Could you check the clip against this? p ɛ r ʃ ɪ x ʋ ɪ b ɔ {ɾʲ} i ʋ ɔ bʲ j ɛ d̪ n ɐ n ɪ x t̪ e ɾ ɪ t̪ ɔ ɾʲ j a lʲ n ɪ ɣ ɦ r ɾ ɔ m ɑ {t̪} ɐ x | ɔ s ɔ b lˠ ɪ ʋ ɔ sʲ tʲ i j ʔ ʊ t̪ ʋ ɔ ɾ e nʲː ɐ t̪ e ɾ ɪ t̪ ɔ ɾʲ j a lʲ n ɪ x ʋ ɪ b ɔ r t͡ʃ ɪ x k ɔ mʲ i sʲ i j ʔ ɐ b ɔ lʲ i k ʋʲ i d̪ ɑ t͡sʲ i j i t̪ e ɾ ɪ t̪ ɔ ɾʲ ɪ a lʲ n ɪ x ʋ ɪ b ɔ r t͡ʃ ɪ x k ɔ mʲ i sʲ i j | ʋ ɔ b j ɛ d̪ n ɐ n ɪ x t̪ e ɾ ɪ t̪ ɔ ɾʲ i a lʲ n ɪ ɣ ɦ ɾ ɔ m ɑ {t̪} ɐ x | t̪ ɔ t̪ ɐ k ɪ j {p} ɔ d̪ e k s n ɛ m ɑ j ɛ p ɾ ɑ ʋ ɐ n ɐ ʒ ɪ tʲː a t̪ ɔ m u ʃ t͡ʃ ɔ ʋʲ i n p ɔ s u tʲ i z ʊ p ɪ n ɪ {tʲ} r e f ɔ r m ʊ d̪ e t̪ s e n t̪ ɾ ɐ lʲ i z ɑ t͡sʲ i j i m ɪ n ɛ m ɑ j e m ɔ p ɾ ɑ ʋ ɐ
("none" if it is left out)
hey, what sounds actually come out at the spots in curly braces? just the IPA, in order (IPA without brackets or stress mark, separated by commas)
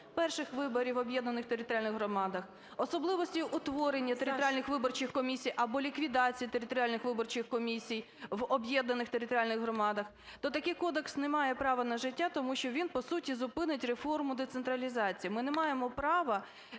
ɾʲ, d̪, d̪, k, tʲ